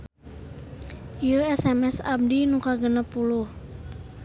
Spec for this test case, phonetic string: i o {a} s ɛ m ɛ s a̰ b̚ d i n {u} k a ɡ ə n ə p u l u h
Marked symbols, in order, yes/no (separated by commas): no, yes